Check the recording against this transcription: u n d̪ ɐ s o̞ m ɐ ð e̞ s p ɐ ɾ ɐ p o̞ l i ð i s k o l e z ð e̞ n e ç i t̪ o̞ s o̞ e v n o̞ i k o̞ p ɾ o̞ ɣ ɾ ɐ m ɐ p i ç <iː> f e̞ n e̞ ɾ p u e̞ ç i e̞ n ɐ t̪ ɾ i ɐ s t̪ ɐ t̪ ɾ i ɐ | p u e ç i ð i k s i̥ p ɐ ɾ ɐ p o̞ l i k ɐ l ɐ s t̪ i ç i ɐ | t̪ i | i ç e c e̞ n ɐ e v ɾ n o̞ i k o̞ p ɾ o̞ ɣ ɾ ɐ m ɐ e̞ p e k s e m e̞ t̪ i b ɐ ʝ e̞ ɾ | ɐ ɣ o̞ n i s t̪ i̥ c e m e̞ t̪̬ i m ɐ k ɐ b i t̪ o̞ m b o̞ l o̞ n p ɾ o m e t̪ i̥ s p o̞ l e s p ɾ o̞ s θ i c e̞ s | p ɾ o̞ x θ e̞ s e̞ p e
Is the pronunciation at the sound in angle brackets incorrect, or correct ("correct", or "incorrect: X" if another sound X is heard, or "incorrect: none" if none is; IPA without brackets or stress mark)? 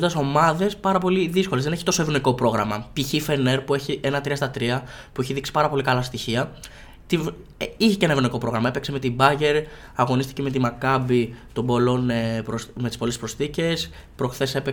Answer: incorrect: i